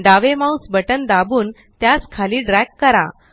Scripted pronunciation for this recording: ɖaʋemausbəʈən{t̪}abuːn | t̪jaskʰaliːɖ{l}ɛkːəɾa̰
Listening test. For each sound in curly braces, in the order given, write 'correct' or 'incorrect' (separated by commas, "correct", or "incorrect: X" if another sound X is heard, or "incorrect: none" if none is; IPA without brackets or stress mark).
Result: incorrect: d̪, incorrect: ɾ